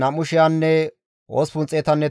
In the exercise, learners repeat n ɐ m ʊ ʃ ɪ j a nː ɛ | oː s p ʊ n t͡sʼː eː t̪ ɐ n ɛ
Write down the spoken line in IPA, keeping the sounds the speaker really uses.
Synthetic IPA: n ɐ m ʊ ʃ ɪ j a nː ɛ | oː s p ʊ n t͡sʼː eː t̪ ɐ nː ɛ